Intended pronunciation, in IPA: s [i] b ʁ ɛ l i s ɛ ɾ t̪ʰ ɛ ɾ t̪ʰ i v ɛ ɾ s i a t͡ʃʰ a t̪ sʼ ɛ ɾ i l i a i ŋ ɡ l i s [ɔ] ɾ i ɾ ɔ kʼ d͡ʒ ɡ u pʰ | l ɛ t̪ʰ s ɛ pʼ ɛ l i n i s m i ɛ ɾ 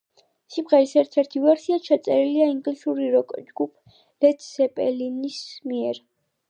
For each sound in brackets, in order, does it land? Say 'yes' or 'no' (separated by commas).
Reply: yes, no